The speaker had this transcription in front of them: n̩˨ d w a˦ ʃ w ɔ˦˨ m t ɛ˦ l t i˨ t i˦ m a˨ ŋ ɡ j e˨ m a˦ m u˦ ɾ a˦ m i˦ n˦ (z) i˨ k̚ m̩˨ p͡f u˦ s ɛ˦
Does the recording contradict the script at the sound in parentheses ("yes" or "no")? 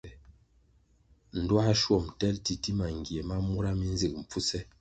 no